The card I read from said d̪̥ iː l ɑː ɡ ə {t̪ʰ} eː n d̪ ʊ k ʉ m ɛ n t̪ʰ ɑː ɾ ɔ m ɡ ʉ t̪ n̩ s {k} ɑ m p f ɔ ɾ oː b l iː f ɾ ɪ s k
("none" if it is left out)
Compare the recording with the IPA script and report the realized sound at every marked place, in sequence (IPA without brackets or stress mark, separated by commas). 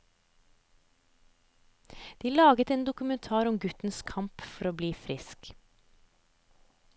t̪, kʰ